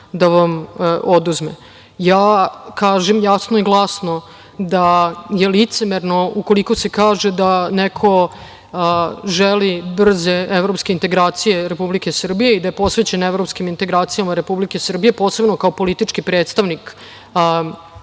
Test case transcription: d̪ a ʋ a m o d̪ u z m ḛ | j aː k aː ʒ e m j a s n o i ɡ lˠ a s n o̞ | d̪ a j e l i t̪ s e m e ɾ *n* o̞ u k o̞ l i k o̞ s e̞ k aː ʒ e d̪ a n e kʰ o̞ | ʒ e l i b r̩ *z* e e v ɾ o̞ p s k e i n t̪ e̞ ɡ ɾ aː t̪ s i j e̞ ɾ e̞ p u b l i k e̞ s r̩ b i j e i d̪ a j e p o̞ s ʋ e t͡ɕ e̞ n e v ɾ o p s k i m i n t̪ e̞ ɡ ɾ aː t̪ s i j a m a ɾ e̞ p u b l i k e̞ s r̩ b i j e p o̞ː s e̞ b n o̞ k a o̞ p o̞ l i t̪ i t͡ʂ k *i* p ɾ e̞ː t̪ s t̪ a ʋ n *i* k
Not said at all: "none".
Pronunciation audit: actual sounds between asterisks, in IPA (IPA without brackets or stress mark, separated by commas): n, z, i, i